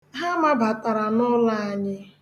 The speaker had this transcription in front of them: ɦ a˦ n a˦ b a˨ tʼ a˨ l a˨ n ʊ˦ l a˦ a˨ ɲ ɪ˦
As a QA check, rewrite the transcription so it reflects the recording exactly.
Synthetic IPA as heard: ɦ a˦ m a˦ b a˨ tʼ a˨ ɾ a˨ n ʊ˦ l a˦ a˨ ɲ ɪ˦